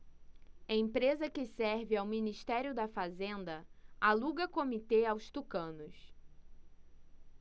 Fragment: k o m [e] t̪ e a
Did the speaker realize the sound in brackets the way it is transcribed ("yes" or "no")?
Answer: no